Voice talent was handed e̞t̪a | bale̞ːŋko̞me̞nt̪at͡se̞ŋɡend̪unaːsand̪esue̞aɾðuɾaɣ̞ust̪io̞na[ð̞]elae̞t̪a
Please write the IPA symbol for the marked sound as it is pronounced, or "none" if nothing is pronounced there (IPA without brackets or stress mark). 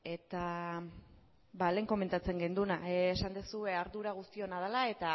ð̞